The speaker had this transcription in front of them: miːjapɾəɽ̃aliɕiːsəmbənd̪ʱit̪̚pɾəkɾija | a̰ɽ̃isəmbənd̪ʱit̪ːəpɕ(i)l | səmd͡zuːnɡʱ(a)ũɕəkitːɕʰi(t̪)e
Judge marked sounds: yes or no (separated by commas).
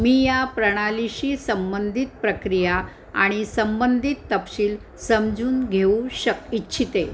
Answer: no, no, yes